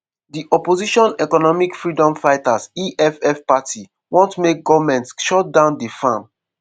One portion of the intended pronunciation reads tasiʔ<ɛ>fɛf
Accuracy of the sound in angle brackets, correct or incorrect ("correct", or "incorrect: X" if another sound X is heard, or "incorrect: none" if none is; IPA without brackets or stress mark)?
correct